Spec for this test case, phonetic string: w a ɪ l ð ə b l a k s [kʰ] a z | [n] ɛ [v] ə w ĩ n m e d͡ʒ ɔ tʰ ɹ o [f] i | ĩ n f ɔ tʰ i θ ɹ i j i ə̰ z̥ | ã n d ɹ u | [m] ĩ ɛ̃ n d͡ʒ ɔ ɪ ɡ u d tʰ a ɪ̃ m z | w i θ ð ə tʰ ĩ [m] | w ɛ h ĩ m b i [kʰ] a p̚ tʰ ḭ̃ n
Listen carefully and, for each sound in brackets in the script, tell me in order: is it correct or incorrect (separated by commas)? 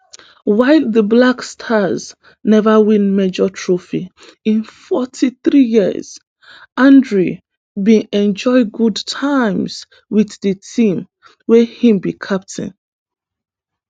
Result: incorrect, correct, correct, correct, incorrect, correct, correct